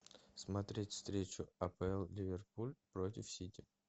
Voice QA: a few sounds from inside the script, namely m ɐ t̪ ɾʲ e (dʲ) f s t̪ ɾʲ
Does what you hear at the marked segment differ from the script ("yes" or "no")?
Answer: yes